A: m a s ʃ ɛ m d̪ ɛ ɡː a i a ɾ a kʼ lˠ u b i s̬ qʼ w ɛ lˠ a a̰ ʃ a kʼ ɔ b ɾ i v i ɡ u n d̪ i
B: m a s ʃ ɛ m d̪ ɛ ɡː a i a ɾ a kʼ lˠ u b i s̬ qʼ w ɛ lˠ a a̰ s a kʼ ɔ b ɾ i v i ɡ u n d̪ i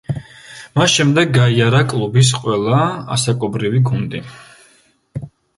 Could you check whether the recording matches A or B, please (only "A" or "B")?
B